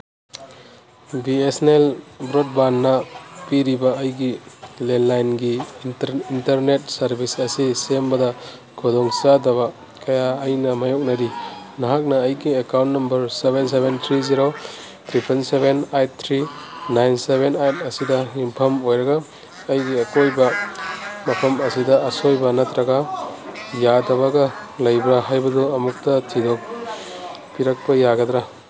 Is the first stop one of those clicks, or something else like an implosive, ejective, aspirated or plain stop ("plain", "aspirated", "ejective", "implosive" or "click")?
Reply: plain